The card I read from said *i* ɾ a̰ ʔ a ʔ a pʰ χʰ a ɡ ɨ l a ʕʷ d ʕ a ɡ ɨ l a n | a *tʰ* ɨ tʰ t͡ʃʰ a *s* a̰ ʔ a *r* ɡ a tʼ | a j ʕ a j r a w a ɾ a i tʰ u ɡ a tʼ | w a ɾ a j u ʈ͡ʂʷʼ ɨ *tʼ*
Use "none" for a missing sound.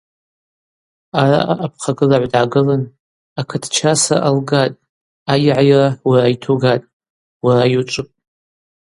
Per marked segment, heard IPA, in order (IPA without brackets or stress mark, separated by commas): a, kʰ, s, l, pʼ